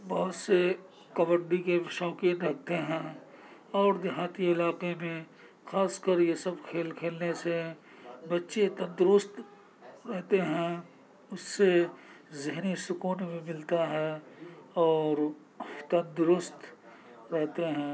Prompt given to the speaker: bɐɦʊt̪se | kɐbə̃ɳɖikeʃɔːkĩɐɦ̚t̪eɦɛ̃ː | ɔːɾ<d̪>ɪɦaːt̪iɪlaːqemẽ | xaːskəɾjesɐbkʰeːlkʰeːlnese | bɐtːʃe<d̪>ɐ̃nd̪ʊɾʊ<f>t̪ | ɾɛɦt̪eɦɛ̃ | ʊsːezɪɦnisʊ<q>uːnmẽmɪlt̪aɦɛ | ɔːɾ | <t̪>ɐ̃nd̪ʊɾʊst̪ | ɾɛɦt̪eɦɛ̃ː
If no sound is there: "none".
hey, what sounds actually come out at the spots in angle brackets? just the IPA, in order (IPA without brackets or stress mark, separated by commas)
d̪, t̪, s, k, t̪